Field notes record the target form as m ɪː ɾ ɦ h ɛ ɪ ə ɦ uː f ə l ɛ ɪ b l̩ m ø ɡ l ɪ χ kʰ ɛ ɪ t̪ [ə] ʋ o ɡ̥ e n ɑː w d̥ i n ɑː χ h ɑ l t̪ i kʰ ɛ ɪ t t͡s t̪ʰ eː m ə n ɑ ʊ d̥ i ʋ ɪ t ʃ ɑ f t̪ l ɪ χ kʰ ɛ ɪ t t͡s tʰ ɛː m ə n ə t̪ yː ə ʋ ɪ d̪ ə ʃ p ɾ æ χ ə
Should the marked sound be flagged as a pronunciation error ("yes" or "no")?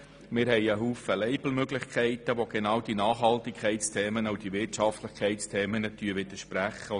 no